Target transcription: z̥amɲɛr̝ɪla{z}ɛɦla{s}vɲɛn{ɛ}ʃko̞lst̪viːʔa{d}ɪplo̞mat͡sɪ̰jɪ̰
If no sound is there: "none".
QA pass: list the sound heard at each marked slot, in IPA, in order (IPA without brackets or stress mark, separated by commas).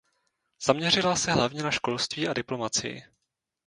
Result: s, none, a, d